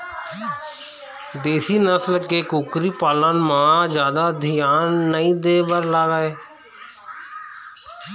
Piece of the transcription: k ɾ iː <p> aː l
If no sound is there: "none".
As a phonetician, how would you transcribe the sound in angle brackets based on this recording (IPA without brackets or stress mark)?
p